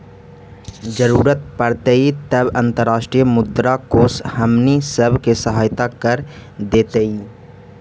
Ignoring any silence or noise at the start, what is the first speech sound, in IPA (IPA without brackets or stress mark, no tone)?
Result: d͡ʒ